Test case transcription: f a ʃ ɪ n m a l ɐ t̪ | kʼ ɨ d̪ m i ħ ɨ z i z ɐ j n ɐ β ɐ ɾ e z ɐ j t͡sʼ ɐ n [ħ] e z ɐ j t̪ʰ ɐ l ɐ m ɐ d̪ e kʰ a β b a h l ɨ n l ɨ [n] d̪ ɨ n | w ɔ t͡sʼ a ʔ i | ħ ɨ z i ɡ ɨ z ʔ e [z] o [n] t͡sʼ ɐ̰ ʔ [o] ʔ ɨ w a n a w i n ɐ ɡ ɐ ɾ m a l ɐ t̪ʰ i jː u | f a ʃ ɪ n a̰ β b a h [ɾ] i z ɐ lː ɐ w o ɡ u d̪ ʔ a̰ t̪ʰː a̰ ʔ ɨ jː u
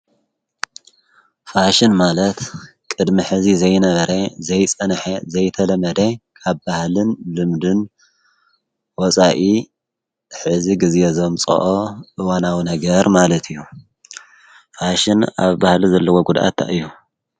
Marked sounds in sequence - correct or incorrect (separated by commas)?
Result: correct, incorrect, correct, incorrect, correct, incorrect